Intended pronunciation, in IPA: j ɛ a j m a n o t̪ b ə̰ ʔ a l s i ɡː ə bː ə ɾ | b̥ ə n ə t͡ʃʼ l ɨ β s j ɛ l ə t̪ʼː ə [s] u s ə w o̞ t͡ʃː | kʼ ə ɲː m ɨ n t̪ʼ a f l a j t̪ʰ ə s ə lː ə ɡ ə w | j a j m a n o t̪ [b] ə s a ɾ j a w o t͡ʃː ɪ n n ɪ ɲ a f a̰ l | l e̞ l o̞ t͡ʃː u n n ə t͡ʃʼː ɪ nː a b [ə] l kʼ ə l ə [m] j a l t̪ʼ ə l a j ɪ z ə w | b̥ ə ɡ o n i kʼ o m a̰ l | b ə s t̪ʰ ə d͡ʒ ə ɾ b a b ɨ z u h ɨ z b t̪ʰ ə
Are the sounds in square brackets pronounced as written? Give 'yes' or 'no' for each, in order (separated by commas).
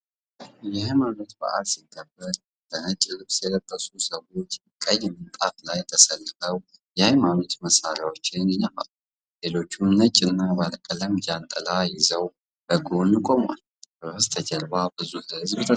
yes, no, no, yes